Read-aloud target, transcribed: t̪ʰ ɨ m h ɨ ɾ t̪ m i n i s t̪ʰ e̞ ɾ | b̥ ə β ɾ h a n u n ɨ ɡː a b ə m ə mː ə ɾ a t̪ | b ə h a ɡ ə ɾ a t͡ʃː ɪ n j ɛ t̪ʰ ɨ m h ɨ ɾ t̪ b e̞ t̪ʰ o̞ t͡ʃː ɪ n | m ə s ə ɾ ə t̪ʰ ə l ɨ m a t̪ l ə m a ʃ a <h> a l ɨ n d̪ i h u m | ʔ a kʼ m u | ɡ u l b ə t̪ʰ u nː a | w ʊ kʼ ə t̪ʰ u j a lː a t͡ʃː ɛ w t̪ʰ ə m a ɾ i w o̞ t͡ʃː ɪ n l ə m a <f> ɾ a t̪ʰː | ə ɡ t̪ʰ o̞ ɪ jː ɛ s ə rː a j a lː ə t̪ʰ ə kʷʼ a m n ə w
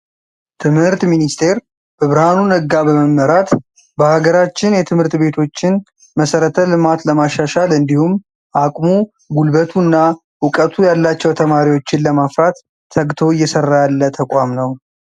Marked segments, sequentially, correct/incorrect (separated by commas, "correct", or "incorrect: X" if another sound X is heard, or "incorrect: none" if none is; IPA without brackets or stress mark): incorrect: ʃ, correct